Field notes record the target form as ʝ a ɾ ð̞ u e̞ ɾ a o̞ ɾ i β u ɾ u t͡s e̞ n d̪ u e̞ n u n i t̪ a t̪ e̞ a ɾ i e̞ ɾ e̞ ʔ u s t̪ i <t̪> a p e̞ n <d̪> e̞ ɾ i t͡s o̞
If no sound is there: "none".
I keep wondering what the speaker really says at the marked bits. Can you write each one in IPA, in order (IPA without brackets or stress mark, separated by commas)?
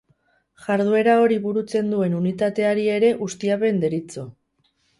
none, d̪